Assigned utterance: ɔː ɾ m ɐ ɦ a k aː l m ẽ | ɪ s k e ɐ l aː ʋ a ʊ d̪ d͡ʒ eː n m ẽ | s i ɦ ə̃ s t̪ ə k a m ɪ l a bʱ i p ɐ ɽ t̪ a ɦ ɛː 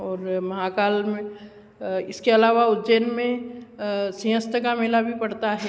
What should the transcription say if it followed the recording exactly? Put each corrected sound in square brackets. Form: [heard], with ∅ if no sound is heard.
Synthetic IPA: ɔː ɾ m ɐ ɦ a k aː l m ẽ | ɪ s k e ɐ l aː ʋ a ʊ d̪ d͡ʒ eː n m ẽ | s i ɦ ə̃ s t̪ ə k a m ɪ l a bʱ i p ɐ ɽ t̪ a ɦ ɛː